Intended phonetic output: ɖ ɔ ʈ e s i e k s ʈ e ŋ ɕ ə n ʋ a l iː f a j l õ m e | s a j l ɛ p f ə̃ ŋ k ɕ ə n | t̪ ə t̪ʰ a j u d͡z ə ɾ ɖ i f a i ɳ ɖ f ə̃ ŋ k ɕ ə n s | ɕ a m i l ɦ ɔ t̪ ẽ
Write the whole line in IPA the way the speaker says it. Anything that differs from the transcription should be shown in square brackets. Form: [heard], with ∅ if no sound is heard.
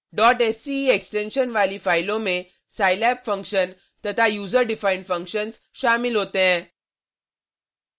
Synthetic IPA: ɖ ɔ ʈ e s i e k s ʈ e [n] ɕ ə n ʋ a l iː f a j l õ m e | s a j l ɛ p f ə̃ ŋ k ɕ ə n | t̪ ə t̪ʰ a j u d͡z ə ɾ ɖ i f a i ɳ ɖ f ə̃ ŋ k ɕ ə n s | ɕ a m i l ɦ [o] t̪ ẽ